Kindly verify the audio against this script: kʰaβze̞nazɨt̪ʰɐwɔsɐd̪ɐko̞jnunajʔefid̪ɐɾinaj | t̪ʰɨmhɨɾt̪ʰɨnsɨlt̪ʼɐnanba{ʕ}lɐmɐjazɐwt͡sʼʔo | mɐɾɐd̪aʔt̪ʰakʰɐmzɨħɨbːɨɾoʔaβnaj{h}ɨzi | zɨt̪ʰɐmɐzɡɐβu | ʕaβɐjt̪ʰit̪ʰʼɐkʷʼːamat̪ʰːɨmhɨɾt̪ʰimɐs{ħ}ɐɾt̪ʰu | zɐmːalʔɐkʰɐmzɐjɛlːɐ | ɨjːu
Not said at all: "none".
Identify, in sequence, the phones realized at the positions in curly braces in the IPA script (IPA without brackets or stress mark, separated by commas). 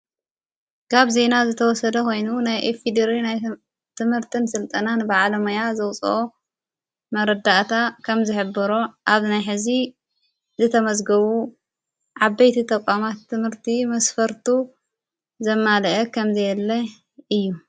ʕ, ħ, f